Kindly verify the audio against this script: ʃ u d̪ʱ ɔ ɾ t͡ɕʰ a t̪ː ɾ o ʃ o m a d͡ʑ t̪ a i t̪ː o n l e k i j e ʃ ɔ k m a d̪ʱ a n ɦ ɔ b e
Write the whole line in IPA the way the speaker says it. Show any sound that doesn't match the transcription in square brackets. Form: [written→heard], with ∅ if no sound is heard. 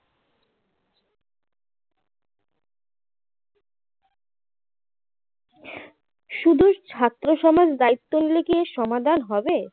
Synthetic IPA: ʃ u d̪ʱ [ɔ→u] ɾ t͡ɕʰ a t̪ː ɾ o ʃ [o→ɔ] m a d͡ʑ [t̪→d̪] a i t̪ː o n l e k i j e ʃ ɔ [k→∅] m a d̪ʱ a n ɦ ɔ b e